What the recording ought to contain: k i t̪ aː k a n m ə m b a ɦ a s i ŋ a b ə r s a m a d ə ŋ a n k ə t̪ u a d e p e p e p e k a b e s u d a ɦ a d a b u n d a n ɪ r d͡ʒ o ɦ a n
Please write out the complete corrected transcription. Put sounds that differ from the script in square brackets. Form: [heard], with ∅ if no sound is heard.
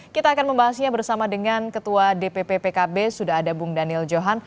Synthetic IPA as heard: k i t̪ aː k a n m ə m b a ɦ a s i [ɲ] a b ə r s a m a d ə ŋ a n k ə t̪ u a d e p e p e p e k a b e s u d a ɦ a d a b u [ŋ] d a n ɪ [l] d͡ʒ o ɦ a n